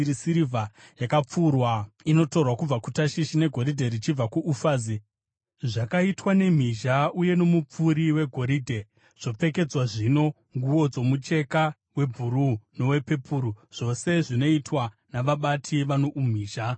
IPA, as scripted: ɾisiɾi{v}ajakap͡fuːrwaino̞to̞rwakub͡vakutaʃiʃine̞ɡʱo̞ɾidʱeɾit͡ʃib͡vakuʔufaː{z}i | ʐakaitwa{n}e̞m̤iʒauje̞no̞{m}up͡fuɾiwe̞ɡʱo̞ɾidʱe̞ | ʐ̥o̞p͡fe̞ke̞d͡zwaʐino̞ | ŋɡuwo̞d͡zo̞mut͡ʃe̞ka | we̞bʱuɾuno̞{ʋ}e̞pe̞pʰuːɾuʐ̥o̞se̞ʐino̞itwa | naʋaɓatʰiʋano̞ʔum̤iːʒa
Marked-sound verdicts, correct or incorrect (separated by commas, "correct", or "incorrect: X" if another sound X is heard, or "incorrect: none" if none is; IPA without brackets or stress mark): correct, correct, correct, correct, incorrect: w